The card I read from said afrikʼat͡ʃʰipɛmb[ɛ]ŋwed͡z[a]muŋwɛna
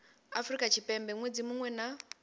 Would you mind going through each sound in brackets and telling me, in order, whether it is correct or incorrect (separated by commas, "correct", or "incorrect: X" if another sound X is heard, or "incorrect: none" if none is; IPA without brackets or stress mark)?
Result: correct, incorrect: i